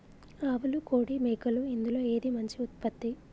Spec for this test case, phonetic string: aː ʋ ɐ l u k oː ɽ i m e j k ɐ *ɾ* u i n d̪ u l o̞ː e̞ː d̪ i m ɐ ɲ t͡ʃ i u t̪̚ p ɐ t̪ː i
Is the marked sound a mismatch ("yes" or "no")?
yes